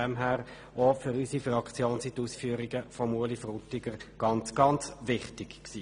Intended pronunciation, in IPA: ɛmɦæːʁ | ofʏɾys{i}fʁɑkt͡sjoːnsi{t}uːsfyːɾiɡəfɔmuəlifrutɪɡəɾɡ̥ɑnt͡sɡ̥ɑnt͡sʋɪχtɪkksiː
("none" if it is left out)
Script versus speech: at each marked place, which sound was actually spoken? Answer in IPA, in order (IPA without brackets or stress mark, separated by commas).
i, t